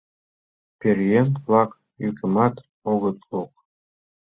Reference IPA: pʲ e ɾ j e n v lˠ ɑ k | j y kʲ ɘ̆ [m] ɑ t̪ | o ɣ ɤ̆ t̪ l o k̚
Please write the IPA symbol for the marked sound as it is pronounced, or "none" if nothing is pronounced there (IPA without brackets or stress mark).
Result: m